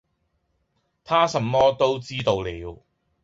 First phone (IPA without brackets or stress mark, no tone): t̪ʰ